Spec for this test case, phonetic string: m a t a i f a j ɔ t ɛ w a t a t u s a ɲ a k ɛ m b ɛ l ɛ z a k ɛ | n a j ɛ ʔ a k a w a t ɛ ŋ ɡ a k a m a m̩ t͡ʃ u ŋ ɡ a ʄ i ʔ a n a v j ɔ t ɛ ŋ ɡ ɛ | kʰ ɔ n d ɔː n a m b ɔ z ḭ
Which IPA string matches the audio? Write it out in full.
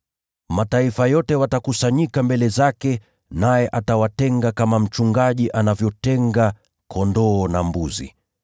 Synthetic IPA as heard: m a t a i f a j ɔ t ɛ w a t a k u s a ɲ i k a m b ɛ l ɛ z a k ɛ | n a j ɛ ʔ a t a w a t ɛ ŋ ɡ a k a m a m̩ t͡ʃ u ŋ ɡ a ʄ i ʔ a n a v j ɔ t ɛ ŋ ɡ a | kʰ ɔ n d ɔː n a m b u z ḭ